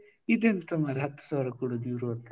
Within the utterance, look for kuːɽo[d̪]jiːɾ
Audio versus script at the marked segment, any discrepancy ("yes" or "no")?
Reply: no